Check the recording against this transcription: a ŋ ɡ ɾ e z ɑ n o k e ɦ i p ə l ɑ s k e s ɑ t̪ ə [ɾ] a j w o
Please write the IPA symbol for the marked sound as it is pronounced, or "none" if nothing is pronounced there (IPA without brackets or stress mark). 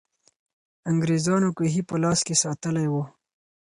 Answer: l